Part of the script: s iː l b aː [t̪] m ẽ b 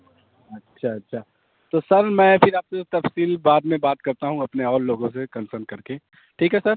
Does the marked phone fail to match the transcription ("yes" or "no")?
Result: yes